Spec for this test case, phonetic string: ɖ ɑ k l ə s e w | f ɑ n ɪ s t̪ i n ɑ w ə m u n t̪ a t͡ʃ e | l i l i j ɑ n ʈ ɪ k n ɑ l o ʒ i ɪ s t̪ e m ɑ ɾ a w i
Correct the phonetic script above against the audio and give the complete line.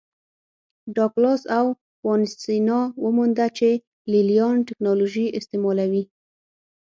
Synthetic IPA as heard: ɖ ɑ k l ɑ s a w | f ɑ n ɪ s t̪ i n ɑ w ə m u n d̪ a t͡ʃ e | l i l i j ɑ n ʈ ɪ k n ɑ l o ʒ i ɪ s t̪ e m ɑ l a w i